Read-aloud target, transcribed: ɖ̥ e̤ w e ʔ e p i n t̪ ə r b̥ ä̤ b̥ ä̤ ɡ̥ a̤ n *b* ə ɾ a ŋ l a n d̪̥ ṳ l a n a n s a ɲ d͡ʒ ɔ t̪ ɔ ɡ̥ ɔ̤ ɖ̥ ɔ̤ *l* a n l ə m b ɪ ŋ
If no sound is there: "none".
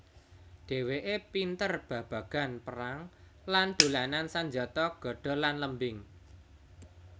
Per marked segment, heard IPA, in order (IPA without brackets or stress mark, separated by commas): p, l